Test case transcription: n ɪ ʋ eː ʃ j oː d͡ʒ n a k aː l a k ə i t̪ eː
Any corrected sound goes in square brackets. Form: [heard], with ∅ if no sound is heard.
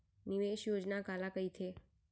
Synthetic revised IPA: n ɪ ʋ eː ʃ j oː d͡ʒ n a k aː l a k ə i [t̪ʰ] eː